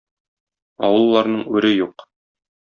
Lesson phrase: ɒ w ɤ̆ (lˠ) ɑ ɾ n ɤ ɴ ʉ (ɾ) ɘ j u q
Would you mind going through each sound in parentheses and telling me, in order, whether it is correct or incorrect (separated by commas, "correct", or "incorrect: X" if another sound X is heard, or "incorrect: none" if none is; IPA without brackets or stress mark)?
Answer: incorrect: lˠː, correct